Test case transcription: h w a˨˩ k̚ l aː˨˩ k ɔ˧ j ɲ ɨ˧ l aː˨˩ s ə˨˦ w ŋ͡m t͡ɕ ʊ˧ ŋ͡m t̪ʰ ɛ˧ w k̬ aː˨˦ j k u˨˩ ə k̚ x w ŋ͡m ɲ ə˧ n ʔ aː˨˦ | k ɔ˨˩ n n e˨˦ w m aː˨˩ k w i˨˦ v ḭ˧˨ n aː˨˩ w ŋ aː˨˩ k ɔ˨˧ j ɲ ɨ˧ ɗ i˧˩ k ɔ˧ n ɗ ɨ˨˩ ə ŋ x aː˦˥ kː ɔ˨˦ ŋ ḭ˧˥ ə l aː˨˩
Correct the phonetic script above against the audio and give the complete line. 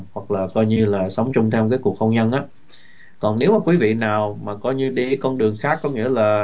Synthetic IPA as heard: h w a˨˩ k̚ l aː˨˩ k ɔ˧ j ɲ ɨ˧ l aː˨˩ s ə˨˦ w ŋ͡m t͡ɕ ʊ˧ ŋ͡m t̪ʰ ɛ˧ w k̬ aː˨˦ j k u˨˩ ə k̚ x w ŋ͡m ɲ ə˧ n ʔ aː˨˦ | k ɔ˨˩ n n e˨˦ w m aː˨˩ k w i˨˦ v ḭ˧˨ n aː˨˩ w m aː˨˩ k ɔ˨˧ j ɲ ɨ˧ ɗ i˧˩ k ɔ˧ n ɗ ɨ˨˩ ə ŋ x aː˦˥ kː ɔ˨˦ ŋ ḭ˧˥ ə l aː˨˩